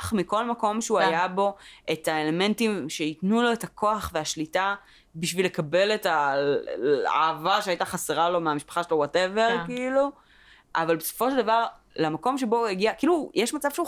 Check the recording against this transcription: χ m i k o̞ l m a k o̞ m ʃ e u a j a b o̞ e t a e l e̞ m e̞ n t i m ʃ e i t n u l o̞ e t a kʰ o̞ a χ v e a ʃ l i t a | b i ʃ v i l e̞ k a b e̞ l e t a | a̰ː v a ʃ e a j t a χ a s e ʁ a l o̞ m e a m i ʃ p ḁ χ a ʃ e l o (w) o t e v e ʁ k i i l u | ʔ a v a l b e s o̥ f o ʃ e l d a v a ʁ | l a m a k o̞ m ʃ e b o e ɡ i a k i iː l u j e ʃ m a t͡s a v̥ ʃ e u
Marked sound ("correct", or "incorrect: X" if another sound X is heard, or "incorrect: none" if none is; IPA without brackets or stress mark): correct